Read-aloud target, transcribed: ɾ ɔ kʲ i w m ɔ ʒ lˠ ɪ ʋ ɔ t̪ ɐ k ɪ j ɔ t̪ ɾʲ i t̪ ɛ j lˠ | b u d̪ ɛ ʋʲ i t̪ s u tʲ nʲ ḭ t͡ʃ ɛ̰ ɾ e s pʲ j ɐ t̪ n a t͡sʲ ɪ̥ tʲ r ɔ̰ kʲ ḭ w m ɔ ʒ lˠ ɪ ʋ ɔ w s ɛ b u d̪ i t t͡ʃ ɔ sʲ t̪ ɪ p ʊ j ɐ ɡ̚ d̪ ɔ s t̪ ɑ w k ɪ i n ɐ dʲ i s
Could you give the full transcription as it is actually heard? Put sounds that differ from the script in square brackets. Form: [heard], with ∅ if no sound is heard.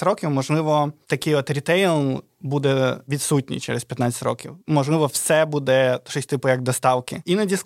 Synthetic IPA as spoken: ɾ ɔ kʲ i w m ɔ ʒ lˠ ɪ ʋ ɔ t̪ ɐ k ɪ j ɔ t̪ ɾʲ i t̪ ɛ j lˠ | b u d̪ ɛ ʋʲ i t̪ s u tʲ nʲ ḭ t͡ʃ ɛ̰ ɾ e s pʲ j ɐ t̪ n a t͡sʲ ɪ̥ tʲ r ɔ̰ kʲ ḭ w m ɔ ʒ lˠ ɪ ʋ ɔ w s ɛ b u d̪ [ɛ] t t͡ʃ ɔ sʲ t̪ ɪ p ʊ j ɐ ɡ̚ d̪ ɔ s t̪ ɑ w k ɪ i n ɐ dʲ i s